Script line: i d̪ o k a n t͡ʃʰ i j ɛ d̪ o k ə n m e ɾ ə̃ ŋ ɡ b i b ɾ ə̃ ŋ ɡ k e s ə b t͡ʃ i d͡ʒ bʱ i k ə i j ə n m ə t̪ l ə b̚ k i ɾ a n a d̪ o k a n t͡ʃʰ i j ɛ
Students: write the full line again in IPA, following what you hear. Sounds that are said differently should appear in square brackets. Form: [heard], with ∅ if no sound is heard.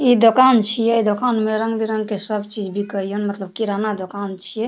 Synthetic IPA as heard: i d̪ o k a n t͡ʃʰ i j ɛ d̪ o k [a] n m e ɾ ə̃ ŋ ɡ b i [∅] ɾ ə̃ ŋ ɡ k e s ə b t͡ʃ i d͡ʒ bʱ i k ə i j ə n m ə t̪ l ə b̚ k i ɾ a n a d̪ o k a n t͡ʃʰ i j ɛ